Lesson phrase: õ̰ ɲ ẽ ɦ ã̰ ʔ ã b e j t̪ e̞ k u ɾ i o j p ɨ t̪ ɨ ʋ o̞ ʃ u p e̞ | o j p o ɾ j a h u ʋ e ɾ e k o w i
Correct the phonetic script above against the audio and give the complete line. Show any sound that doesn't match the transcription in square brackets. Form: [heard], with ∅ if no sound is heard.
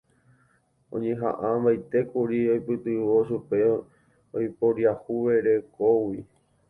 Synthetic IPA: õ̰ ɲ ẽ ɦ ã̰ ʔ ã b [a] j t̪ e̞ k u ɾ i o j p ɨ t̪ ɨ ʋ o̞ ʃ u p e̞ | o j p o ɾ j a h u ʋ e ɾ e k o w i

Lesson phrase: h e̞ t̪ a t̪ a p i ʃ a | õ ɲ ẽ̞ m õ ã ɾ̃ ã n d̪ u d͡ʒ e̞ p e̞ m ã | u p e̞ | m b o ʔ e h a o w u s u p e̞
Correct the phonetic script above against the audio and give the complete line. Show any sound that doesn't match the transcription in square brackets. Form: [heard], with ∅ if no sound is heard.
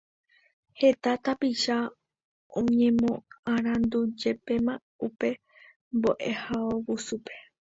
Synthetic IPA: h e̞ t̪ a t̪ a p i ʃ a | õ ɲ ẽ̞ m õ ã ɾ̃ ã n d̪ u d͡ʒ e̞ p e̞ m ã | u p e̞ | m b o ʔ e h a o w u s u p e̞

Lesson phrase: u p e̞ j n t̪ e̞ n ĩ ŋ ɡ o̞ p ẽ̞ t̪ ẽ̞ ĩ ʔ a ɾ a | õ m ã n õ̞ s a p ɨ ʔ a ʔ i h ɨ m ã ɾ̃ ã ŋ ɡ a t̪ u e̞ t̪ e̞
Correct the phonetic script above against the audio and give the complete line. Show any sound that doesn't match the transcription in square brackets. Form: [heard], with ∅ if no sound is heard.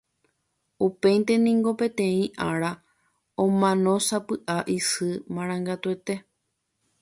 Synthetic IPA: u p e̞ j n t̪ e̞ n ĩ ŋ ɡ o̞ p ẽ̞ t̪ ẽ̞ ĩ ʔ a ɾ a | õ m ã n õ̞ s a p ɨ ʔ a ʔ i [s] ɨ m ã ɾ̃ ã ŋ ɡ a t̪ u e̞ t̪ e̞

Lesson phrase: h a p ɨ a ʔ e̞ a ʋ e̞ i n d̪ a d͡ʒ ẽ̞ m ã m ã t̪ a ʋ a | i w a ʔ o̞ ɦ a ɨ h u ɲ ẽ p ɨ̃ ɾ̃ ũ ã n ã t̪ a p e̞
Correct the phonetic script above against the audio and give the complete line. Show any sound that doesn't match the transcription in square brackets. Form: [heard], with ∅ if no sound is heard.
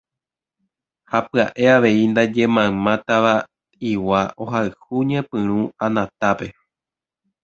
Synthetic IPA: h a p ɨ a ʔ e̞ a ʋ e̞ i n d̪ a d͡ʒ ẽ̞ m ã m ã t̪ a ʋ a | i w a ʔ o̞ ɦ a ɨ h u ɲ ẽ p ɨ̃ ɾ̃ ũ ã n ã t̪ a p e̞

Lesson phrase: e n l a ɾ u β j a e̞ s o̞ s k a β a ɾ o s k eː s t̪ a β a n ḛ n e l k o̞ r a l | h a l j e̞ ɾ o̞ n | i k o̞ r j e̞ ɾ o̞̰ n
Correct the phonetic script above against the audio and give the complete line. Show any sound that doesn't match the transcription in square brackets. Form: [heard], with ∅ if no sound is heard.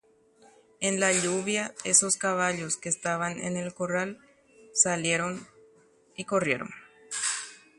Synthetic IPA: e n l a [ʎ] u β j a e̞ s o̞ s k a β a [ʎ] o s k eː s t̪ a β a n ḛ n e l k o̞ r a l | [s] a l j e̞ ɾ o̞ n | i k o̞ r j e̞ ɾ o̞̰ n

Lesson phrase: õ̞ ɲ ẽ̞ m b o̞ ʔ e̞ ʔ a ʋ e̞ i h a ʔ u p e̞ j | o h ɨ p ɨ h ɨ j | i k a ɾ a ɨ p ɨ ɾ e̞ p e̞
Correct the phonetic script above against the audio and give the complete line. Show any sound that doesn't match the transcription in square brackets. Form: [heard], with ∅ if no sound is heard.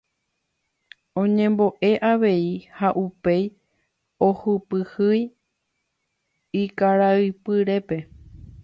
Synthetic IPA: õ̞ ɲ ẽ̞ m b o̞ ʔ e̞ ʔ a ʋ e̞ i h a ʔ u p e̞ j | o h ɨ p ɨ h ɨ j | i k a ɾ a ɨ p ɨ ɾ e̞ p e̞

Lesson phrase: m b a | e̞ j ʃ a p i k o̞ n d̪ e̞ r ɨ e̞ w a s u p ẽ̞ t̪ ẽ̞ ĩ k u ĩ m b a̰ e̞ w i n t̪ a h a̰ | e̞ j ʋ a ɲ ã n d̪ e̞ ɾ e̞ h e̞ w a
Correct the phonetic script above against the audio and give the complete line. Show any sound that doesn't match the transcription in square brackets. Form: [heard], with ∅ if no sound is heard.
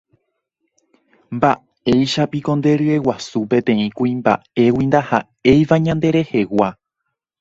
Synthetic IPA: m b a | e̞ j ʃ a p i k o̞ n d̪ e̞ [ɾ] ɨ e̞ w a s u p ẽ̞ t̪ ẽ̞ ĩ k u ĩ m b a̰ e̞ w i n [d̪] a h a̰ | e̞ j ʋ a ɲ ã n d̪ e̞ ɾ e̞ h e̞ w a

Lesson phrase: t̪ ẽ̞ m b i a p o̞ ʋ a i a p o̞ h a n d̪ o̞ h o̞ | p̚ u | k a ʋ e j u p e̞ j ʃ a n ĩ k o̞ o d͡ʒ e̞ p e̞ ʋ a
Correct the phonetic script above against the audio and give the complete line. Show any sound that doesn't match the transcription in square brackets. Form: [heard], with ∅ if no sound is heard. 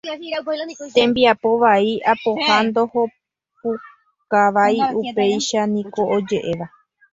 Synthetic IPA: t̪ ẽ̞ m b i a p o̞ ʋ a i a p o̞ h a n d̪ o̞ h o̞ | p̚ u | k a ʋ [a] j u p e̞ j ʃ a n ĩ k o̞ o d͡ʒ e̞ [ʔ] e̞ ʋ a

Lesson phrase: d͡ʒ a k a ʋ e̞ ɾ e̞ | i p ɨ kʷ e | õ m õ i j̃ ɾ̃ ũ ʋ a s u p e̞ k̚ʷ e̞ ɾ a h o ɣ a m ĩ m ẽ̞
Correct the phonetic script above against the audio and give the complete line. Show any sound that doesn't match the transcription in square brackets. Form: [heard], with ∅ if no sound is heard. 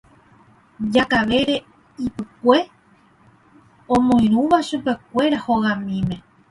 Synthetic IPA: d͡ʒ a k a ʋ e̞ ɾ e̞ | i p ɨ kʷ e | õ m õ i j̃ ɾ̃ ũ ʋ a [ʃ] u p e̞ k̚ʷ e̞ ɾ a h o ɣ a m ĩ m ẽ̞

